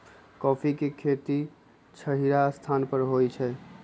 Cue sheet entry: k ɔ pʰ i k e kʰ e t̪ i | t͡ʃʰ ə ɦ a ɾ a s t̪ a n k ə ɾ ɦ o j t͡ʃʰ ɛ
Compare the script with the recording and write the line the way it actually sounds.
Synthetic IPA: k ɔ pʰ i k e kʰ e t̪ i | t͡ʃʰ ə ɦ i ɾ a s t̪ʰ a n p ə ɾ ɦ o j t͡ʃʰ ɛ